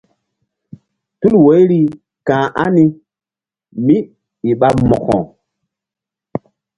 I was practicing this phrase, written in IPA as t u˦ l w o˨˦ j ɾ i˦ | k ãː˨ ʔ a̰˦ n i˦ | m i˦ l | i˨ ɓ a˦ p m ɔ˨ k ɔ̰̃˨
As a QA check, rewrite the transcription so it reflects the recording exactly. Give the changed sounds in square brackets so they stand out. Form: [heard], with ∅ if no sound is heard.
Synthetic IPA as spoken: t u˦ l w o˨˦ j ɾ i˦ | k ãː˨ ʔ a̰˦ n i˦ | m i˦ [∅] | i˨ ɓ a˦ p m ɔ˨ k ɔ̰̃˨